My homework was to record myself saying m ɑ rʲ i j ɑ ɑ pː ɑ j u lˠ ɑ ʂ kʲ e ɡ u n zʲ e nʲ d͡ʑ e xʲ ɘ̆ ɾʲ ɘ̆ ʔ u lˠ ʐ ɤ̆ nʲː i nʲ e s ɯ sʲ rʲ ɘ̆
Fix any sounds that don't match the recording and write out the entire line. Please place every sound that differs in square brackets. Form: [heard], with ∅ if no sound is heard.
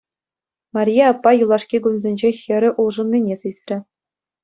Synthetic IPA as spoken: m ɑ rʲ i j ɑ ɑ pː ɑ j u lˠ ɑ ʂ kʲ [i] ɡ u n zʲ e nʲ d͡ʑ e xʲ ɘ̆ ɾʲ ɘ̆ ʔ u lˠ ʐ ɤ̆ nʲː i nʲ e s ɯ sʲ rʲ ɘ̆